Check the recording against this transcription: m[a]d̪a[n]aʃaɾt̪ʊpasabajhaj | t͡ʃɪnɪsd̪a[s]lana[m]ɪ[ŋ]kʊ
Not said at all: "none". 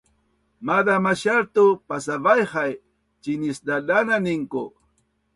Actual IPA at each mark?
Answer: a, m, none, n, ŋ

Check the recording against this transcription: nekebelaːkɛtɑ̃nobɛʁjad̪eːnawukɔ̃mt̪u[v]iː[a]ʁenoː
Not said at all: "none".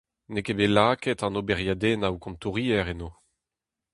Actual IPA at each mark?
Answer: ʁ, ɛ

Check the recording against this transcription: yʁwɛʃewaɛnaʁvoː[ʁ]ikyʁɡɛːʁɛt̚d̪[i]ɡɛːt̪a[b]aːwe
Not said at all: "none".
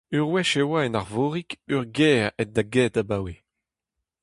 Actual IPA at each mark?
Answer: ʁ, a, b

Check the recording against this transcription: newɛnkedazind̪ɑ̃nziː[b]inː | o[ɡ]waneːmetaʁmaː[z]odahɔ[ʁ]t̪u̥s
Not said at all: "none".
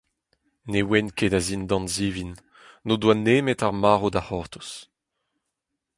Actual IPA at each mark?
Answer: v, d, ʁ, ʁ

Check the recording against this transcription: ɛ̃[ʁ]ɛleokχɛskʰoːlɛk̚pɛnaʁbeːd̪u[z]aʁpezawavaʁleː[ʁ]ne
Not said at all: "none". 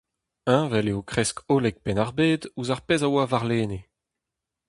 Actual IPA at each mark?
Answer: v, z, none

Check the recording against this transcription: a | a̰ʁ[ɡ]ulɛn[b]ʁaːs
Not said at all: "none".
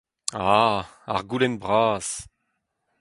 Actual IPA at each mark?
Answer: ɡ, b

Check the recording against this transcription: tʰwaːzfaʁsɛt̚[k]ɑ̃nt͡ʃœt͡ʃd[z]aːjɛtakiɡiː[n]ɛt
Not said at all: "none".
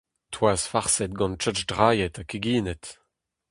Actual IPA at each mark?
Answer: ɡ, ʁ, n

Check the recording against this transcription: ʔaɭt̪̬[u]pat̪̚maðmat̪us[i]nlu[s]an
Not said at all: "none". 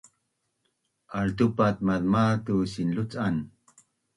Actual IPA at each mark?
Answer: u, i, t͡s

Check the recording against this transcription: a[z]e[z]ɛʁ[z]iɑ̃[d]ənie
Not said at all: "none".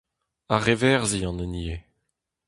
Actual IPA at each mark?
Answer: ʁ, v, z, n

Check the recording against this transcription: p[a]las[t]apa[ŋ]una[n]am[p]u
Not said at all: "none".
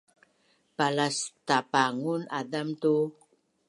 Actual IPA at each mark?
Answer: a, t, ŋ, d, t

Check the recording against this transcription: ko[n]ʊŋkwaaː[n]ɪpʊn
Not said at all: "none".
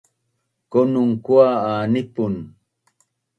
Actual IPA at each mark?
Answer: n, n

